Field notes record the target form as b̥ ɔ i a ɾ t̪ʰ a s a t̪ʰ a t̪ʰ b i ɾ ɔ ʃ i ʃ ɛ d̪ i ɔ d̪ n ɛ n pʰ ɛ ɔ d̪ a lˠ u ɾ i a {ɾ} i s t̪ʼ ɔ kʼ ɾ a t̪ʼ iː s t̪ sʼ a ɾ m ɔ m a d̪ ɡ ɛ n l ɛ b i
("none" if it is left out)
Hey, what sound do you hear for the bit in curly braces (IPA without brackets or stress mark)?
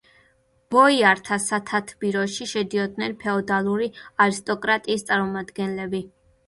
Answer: ɾ